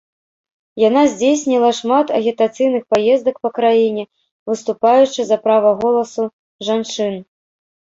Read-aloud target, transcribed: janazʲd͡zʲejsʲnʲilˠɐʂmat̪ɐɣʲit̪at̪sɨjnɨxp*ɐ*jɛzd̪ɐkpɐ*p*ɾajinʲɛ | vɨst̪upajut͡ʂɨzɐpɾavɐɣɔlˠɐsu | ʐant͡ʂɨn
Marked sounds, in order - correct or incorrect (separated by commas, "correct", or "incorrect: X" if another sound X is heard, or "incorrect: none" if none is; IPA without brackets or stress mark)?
incorrect: a, incorrect: k